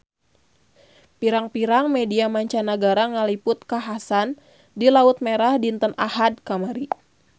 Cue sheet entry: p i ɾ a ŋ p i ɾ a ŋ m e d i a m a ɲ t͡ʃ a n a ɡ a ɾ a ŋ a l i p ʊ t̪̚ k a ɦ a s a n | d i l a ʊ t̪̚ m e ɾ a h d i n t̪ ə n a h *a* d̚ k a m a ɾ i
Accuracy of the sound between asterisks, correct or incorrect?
correct